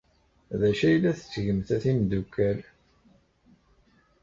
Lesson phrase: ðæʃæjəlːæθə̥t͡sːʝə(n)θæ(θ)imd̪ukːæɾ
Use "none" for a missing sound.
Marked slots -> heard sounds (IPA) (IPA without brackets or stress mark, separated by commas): m, θ